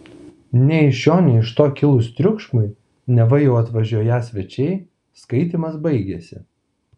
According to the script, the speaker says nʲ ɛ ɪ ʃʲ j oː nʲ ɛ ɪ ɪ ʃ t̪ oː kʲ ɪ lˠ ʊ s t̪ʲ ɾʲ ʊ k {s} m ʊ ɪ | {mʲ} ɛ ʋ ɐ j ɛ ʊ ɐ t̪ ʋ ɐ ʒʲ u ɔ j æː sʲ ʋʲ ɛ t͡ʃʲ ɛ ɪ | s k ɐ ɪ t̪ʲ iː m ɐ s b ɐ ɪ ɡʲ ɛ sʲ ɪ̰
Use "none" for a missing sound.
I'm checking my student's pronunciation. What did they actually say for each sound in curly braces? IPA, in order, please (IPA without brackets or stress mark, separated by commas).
ʃ, nʲ